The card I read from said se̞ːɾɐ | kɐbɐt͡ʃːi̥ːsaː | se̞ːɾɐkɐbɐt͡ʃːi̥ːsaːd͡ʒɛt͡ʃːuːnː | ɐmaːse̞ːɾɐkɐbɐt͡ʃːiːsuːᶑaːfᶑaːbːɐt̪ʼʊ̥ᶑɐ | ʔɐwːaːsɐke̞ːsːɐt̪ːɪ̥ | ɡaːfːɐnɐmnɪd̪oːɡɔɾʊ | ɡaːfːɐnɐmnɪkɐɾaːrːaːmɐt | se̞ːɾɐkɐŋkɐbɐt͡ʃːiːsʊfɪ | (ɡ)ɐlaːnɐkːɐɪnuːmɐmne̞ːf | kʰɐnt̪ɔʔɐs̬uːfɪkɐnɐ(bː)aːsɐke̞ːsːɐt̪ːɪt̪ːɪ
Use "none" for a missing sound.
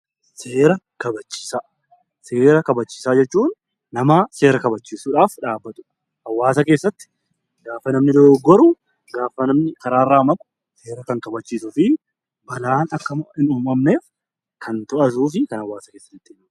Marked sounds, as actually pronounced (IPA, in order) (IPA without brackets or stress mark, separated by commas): b, wː